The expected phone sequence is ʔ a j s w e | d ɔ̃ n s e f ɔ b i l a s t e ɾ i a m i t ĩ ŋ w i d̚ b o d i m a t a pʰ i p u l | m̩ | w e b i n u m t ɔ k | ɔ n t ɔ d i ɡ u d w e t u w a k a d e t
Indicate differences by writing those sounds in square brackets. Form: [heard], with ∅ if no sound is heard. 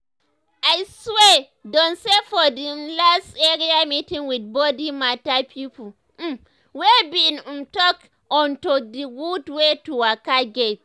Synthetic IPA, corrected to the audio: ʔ a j s w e | d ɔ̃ n s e f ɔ [d] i l a s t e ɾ i a m i t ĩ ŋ w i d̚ b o d i m a t a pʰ i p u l | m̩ | w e b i n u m t ɔ k | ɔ n t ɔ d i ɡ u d w e t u w a k a [ɡ] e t